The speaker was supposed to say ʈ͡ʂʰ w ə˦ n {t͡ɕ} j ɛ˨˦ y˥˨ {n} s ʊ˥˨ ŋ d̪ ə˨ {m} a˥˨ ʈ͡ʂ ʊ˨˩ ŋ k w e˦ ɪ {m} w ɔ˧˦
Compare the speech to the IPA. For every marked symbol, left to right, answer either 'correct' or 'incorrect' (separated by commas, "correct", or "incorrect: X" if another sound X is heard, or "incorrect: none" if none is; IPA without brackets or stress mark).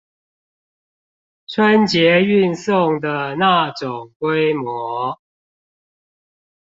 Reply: correct, correct, incorrect: n, correct